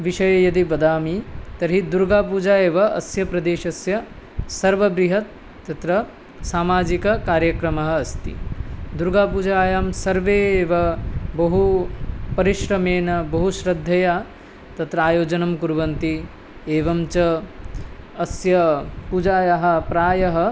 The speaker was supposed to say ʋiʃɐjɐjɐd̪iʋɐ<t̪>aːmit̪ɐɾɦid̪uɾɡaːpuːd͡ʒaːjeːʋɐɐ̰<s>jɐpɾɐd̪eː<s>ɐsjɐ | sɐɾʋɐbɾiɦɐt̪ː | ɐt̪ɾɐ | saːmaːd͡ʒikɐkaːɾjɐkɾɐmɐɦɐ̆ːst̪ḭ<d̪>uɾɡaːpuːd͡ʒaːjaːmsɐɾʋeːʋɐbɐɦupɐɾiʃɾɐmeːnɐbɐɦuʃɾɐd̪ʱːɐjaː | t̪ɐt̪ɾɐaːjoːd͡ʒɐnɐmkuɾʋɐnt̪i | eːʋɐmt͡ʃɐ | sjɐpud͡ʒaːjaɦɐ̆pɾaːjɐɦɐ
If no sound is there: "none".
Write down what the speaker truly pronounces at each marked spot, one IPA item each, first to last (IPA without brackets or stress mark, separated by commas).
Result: d̪, s, ʃ, d̪